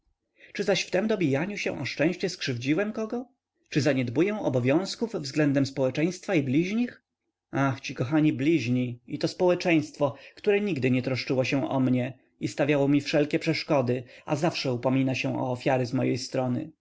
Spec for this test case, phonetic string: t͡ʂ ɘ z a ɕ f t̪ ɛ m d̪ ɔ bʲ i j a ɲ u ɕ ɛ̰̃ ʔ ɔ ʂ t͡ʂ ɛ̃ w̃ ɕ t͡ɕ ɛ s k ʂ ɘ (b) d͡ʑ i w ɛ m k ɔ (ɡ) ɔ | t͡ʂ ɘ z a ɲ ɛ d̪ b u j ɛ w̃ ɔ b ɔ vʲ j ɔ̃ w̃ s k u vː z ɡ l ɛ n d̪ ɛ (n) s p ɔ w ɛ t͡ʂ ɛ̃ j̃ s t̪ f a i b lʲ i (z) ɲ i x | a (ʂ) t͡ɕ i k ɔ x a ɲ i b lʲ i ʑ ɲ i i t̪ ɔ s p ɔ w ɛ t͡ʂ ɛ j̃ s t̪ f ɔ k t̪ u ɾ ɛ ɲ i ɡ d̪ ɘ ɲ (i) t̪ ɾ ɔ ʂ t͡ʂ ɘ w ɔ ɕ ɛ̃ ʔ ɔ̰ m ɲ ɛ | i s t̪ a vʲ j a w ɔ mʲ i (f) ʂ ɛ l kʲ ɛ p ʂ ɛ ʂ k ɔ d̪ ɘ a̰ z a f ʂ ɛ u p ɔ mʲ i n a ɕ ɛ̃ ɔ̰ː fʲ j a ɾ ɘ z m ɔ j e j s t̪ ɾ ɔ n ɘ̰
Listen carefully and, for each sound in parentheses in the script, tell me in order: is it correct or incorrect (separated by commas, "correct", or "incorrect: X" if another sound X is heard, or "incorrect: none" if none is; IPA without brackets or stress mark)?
incorrect: v, correct, incorrect: m, incorrect: ʑ, incorrect: x, incorrect: ɛ, correct